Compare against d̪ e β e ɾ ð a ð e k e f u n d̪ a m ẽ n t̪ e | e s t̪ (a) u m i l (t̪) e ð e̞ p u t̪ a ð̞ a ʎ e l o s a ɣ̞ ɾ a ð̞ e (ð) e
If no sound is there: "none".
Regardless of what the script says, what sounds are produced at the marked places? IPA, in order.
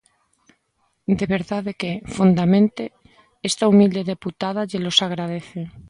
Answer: a, d̪, θ

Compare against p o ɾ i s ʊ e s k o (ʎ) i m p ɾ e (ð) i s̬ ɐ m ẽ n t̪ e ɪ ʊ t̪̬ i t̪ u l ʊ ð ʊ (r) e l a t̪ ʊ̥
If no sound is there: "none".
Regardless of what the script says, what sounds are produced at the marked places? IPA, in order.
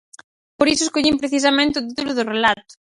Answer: ʎ, θ, r

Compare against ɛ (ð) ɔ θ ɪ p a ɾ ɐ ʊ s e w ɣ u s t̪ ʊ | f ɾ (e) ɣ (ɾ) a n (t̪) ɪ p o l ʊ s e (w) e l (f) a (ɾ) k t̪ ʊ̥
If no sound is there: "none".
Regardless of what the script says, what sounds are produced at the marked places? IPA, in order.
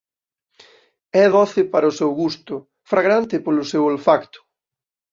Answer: ð, a, ɾ, t̪, w, f, none

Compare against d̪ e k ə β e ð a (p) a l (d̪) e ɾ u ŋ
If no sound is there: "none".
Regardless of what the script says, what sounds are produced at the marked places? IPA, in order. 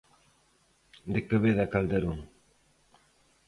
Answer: k, d̪

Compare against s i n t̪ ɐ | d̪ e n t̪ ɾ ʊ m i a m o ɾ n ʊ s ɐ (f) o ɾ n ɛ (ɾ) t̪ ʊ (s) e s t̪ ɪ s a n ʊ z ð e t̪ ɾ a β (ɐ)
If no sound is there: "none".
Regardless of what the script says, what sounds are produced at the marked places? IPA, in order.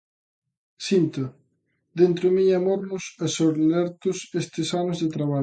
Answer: s, ɾ, s, a

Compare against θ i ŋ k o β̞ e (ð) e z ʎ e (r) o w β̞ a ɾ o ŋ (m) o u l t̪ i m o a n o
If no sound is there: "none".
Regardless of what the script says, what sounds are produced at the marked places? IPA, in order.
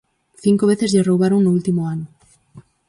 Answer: θ, r, n

